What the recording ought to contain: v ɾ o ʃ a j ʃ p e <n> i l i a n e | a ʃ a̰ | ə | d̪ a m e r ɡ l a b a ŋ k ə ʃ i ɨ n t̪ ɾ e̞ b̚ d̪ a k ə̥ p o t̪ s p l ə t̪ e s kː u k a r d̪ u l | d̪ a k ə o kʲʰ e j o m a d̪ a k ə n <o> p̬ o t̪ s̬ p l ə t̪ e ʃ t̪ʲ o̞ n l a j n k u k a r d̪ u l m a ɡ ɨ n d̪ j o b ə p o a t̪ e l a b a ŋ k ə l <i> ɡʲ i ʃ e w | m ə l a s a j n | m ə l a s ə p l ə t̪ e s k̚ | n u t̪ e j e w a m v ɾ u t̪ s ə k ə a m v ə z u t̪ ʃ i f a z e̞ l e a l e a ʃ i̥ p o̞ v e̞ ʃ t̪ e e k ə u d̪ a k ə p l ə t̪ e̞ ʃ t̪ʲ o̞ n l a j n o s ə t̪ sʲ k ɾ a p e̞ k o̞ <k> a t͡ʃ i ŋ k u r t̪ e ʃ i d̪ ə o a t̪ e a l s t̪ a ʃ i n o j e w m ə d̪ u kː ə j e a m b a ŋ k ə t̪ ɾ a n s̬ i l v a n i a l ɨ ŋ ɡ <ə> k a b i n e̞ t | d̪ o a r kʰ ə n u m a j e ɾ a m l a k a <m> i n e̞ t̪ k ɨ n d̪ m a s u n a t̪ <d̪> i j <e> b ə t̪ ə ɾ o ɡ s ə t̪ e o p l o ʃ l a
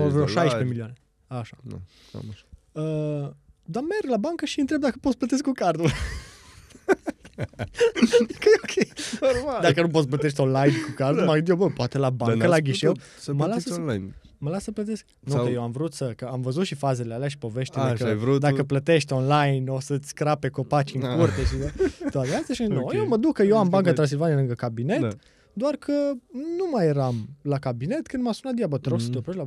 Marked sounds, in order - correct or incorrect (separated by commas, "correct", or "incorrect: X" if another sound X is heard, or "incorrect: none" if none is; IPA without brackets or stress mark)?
incorrect: m, incorrect: u, incorrect: a, incorrect: p, correct, incorrect: b, correct, incorrect: a